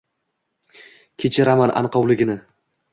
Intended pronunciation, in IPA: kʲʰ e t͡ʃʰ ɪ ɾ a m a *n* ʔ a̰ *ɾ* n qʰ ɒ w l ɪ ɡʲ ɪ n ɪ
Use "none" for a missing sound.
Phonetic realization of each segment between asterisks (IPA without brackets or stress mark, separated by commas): n, none